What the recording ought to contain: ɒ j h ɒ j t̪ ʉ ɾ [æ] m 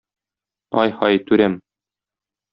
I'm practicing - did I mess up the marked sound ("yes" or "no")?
no